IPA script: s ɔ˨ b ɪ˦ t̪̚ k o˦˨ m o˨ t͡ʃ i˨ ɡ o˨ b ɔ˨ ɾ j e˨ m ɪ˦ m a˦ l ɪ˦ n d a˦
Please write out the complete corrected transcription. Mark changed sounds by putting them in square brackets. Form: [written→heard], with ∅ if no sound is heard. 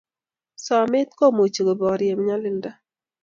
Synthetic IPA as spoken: s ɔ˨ [b→m] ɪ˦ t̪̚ k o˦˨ m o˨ t͡ʃ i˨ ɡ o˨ b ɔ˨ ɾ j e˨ m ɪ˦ [m→ɲ] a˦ l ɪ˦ n d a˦